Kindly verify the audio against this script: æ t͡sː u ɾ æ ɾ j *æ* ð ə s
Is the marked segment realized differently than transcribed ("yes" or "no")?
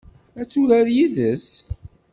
yes